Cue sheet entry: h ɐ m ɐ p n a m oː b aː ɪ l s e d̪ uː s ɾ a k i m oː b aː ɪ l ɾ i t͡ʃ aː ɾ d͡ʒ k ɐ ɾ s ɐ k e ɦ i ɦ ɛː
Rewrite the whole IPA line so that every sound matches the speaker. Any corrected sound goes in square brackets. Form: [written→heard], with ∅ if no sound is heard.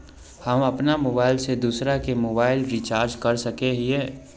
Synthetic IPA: h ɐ m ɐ p n a m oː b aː ɪ l s e d̪ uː s ɾ a k [i→e] m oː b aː ɪ l ɾ i t͡ʃ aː ɾ d͡ʒ k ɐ ɾ s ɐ k e ɦ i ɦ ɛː